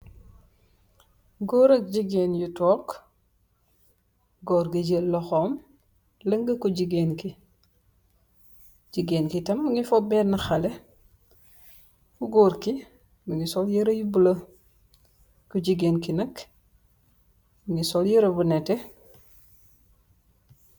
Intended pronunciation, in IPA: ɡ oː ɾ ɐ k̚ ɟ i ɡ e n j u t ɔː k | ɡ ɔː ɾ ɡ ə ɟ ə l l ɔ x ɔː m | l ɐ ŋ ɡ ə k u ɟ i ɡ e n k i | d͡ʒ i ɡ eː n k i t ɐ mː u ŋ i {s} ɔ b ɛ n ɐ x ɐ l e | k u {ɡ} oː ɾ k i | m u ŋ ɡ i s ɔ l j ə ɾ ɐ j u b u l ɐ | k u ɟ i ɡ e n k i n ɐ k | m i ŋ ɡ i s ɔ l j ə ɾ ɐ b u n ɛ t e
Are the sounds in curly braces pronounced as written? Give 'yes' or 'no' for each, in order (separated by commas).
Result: no, yes